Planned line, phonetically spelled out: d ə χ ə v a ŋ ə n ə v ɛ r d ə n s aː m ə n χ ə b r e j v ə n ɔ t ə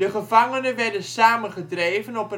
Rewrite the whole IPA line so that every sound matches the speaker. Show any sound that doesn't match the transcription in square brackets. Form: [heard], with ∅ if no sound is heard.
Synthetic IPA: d ə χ ə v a ŋ ə n ə [ʋ] ɛ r d ə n s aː m ə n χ ə [d] r e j v ə n ɔ [p] ə